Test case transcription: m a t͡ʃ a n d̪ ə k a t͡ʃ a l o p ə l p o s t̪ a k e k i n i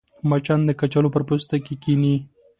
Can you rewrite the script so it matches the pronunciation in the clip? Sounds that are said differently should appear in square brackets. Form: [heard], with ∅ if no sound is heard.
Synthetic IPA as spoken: m a t͡ʃ a n d̪ ə k a t͡ʃ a l o p ə [ɾ] p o s t̪ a k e k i n i